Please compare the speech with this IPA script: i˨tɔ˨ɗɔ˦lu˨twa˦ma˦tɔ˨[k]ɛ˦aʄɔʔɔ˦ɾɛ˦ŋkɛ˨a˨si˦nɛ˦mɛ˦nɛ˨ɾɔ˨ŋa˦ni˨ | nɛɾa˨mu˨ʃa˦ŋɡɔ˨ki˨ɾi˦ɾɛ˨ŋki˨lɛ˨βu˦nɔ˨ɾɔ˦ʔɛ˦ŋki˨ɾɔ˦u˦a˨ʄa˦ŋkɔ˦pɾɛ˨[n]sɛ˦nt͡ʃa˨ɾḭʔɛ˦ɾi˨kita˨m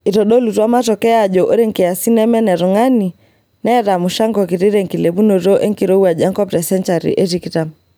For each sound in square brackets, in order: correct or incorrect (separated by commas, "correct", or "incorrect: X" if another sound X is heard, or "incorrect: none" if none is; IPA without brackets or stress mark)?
correct, incorrect: none